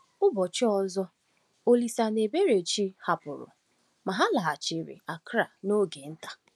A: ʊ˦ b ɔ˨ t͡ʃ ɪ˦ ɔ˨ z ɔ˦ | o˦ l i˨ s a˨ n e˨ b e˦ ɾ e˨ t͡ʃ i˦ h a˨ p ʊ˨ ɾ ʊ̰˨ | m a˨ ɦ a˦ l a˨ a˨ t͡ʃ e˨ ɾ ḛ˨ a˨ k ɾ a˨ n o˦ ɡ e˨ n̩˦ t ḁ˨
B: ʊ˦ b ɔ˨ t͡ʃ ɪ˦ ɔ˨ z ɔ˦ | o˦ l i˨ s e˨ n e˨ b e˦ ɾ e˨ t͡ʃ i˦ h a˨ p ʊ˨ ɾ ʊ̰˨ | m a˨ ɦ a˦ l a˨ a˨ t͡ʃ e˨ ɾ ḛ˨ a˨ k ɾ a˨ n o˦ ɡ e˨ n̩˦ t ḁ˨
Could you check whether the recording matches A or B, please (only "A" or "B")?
A